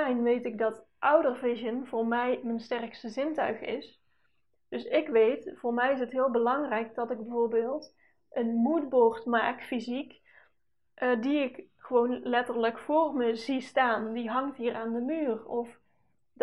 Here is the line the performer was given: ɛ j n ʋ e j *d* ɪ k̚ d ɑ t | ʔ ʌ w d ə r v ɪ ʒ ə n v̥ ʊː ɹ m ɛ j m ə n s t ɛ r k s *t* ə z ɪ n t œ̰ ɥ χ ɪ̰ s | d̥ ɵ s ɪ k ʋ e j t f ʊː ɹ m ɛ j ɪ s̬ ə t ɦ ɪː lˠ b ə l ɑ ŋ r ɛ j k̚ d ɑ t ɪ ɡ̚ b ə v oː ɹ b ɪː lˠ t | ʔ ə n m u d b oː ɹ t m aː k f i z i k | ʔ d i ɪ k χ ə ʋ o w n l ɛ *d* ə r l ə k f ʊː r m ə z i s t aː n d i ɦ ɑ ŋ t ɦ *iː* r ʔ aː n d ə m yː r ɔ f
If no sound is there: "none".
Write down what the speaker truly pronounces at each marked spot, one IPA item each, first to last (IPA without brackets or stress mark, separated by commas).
t, t, t, iː